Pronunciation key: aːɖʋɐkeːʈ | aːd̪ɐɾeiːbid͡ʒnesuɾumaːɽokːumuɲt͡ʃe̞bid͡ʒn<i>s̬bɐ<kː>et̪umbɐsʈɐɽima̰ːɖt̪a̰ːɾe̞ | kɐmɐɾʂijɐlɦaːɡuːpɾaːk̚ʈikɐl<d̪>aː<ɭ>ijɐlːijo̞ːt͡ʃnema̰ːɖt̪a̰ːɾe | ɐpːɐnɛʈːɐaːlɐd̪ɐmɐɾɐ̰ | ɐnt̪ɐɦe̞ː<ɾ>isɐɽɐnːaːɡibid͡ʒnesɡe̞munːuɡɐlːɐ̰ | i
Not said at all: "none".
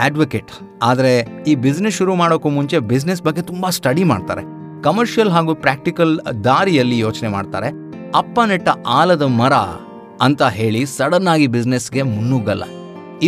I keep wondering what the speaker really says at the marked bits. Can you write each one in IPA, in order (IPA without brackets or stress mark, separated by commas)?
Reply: e, ɡː, d̪, ɾ, ɭ